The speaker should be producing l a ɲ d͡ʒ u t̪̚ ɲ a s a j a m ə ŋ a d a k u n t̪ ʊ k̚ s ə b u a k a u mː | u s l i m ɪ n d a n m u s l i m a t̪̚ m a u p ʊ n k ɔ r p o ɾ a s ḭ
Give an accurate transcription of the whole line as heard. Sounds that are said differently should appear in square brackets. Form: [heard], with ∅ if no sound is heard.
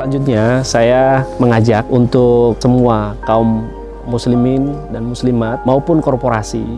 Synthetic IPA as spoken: l a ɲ d͡ʒ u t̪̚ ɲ a s a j a m ə ŋ a [d͡ʒ] a k u n t̪ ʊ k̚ s ə [m] u a k a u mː | u s l i m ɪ n d a n m u s l i m a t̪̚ m a u p ʊ n k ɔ r p o ɾ a s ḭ